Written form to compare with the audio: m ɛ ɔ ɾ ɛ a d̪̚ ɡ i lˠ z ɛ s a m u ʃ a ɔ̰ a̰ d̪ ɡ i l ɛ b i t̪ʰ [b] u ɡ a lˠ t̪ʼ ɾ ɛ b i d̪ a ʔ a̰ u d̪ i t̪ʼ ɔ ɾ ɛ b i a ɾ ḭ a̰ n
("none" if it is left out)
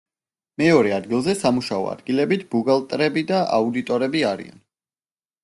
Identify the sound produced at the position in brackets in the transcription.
b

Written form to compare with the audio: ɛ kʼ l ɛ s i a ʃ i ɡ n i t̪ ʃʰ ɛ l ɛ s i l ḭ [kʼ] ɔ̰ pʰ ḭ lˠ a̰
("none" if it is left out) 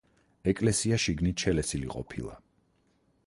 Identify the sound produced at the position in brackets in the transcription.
qʼ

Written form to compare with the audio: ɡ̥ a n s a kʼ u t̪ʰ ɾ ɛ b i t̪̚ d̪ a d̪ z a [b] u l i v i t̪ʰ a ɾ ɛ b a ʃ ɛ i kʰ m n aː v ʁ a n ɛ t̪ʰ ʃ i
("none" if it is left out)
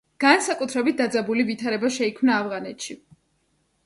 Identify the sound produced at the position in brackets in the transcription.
b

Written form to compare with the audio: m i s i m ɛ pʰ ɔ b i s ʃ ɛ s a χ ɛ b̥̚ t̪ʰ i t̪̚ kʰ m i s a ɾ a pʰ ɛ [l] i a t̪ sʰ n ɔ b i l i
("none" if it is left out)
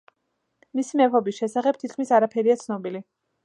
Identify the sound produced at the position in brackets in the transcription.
ɾ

